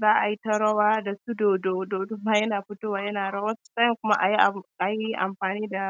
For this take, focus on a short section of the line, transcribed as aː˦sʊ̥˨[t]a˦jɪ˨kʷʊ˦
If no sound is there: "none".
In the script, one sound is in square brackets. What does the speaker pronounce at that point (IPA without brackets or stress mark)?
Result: s